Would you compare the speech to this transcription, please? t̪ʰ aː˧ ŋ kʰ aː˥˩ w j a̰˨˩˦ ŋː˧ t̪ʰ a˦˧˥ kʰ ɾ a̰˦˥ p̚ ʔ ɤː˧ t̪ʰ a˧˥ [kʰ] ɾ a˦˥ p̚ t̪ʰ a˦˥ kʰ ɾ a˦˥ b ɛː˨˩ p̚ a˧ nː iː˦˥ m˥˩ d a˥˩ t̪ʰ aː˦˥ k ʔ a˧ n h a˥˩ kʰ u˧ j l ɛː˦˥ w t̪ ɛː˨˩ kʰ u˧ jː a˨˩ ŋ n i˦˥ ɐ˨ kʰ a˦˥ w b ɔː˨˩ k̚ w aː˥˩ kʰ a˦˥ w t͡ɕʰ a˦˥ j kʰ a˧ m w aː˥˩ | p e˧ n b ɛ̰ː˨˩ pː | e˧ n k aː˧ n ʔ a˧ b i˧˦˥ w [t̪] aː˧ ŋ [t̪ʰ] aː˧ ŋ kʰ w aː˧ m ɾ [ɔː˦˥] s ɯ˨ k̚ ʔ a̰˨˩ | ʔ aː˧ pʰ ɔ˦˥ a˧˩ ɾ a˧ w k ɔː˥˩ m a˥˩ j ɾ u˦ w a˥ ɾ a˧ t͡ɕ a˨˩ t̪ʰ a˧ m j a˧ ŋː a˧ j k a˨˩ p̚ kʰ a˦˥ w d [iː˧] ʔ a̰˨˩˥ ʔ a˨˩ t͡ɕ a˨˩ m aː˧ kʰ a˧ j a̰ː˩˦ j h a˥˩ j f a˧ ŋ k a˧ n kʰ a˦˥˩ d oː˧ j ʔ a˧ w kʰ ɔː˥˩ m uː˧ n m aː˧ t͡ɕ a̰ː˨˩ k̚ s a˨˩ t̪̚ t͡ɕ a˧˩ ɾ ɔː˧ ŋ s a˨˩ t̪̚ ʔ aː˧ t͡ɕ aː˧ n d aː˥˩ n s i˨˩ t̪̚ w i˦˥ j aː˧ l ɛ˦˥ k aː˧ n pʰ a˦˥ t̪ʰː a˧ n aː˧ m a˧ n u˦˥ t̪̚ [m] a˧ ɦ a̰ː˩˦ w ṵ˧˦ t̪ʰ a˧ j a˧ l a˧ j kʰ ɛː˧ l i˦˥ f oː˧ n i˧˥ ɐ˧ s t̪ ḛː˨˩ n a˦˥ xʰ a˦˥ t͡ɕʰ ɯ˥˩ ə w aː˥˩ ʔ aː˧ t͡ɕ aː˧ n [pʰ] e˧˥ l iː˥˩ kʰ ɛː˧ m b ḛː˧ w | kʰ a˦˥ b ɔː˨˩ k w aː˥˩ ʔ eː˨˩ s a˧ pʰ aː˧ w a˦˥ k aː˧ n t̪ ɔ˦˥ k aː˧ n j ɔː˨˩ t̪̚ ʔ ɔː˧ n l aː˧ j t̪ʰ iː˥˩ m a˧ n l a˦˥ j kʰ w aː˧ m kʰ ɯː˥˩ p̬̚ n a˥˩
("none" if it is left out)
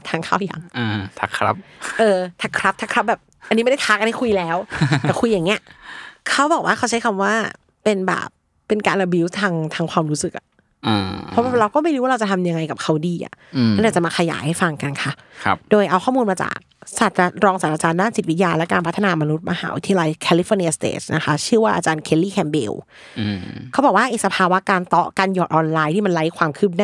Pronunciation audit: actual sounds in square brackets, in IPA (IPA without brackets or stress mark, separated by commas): kʰ, t̪ʰ, t̪ʰ, uː˦˥, iː˧, m, kʰ